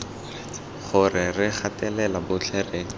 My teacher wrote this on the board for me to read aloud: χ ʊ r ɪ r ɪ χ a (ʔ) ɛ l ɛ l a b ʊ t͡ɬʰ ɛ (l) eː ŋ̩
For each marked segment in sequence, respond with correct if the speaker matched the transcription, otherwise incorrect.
incorrect, incorrect

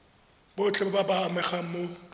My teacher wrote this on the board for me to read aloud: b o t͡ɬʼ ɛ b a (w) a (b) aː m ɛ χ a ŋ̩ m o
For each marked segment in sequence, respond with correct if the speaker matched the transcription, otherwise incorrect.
incorrect, correct

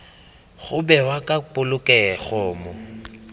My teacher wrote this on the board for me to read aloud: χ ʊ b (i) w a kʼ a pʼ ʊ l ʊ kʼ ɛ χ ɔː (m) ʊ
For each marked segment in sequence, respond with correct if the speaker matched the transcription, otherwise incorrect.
incorrect, correct

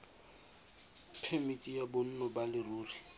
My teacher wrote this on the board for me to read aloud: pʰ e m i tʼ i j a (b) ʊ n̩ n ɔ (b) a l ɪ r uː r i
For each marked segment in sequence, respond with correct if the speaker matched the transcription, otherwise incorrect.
correct, correct

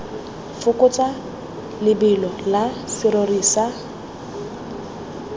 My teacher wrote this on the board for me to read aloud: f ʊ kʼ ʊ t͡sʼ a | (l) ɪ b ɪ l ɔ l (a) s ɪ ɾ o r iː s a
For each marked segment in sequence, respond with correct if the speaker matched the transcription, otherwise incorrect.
correct, correct

